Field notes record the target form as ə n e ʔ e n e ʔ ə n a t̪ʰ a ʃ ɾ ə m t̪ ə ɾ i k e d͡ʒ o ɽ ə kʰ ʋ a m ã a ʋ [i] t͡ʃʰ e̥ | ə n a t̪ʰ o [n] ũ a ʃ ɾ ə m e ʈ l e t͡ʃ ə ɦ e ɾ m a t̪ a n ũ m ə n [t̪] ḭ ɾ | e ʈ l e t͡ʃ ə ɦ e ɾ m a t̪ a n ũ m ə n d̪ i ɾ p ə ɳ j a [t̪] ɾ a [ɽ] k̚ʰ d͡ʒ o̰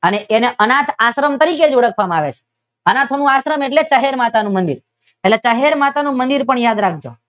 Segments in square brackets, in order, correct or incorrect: incorrect, correct, incorrect, incorrect, incorrect

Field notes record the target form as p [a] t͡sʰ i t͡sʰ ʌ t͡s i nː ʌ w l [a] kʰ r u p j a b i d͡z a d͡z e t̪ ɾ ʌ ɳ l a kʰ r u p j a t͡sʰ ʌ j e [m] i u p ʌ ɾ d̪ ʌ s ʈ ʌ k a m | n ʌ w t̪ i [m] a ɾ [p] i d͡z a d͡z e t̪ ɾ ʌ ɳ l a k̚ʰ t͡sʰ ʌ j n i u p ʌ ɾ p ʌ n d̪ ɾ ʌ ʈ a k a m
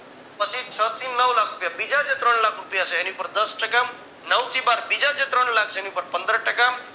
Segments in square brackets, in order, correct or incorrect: incorrect, correct, incorrect, incorrect, incorrect

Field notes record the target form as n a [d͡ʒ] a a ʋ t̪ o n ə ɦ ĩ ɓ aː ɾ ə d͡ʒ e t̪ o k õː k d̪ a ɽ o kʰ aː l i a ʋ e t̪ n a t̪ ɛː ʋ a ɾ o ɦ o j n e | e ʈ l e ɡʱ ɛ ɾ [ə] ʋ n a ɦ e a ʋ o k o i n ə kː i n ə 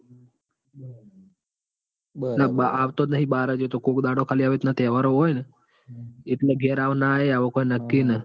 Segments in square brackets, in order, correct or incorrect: incorrect, incorrect

